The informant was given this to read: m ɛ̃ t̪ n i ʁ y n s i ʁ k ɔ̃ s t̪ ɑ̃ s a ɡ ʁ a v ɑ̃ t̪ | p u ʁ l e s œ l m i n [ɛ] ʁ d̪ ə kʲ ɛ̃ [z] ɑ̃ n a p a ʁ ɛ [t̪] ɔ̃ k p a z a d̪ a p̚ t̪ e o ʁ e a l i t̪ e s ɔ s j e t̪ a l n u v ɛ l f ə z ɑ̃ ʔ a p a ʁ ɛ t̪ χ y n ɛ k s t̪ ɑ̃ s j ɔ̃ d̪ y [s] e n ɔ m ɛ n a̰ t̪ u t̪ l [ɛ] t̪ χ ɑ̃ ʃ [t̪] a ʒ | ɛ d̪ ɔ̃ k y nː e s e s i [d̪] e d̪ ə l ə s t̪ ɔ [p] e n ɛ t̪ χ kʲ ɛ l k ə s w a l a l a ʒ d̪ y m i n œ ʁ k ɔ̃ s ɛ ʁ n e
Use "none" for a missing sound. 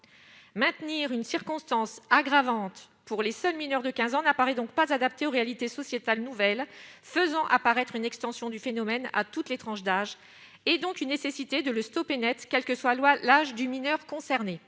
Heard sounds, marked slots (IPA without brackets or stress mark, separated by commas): œ, z, d̪, f, e, d̪, t̪, p